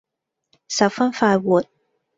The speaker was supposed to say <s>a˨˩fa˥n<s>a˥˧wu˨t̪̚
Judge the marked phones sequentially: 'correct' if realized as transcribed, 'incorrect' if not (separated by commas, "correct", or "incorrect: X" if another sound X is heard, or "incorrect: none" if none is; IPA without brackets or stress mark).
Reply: correct, incorrect: f